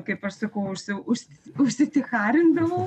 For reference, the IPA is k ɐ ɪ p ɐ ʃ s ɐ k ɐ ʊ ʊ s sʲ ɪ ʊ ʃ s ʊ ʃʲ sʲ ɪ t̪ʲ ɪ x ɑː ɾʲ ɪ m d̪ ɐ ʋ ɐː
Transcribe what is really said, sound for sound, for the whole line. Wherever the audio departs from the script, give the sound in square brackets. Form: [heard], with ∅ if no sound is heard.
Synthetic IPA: k ɐ ɪ p ɐ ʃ s ɐ k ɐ ʊ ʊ [ʃ] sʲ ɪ ʊ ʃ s ʊ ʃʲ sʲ ɪ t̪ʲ ɪ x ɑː ɾʲ ɪ [n] d̪ ɐ ʋ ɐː